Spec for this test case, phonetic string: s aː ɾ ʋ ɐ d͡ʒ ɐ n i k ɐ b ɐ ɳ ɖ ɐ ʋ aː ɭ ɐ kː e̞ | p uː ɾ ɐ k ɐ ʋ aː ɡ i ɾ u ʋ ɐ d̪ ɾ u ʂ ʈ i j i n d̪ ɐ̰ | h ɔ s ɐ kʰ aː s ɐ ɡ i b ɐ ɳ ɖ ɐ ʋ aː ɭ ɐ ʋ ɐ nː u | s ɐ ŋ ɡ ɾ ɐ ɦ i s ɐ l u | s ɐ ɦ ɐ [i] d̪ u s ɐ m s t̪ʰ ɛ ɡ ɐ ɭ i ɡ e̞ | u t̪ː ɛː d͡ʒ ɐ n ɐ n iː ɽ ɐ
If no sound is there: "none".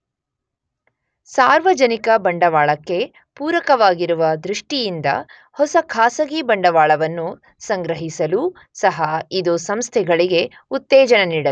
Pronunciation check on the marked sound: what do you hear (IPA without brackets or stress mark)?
i